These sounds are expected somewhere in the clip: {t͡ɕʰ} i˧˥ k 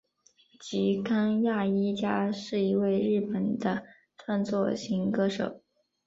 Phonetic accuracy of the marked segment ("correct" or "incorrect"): incorrect